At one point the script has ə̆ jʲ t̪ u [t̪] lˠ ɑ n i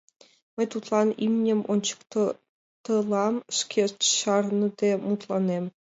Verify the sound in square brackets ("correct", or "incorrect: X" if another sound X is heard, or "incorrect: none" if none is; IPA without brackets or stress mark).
correct